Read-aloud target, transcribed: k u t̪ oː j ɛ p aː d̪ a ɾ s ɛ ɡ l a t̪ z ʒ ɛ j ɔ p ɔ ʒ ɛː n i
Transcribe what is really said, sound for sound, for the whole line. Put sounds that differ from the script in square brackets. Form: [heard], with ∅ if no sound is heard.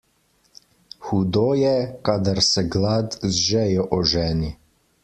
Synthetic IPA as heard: [x] u [d̪] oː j ɛ [k] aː d̪ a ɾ s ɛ ɡ l a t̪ z ʒ ɛ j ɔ [ʔ] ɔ ʒ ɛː n i